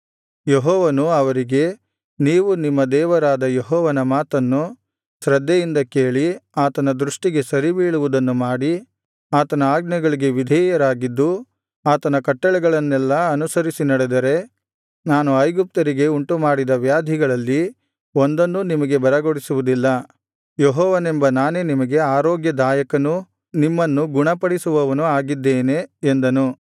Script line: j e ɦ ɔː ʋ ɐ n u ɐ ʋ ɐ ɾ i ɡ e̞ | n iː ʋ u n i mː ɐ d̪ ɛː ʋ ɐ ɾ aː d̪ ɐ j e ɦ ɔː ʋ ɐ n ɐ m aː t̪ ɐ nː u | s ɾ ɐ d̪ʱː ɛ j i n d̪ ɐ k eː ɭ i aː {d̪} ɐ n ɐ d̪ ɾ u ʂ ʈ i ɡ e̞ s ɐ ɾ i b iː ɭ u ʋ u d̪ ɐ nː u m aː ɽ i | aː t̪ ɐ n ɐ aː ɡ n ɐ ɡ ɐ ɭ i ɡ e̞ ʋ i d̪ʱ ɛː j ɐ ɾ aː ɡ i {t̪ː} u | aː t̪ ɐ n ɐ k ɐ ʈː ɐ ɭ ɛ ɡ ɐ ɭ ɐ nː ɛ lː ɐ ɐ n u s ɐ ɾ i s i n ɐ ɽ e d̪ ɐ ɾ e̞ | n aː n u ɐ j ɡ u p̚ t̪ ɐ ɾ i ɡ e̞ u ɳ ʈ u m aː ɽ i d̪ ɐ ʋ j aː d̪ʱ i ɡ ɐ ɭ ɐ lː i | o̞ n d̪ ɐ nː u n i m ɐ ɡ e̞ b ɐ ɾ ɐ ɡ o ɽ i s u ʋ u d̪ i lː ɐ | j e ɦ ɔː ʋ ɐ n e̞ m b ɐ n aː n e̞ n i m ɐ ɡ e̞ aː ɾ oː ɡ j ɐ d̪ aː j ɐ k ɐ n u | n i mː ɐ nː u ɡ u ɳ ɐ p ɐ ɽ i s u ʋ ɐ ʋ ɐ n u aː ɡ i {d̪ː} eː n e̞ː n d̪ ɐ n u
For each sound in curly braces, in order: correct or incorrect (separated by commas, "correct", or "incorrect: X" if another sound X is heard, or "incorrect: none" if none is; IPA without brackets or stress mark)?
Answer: incorrect: t̪, incorrect: d̪ː, correct